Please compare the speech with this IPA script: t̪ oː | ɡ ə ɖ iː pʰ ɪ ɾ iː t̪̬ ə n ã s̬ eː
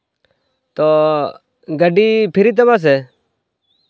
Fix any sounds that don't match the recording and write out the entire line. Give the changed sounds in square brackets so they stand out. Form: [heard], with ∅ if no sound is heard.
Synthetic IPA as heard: t̪ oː | ɡ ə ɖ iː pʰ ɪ ɾ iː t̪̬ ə [m] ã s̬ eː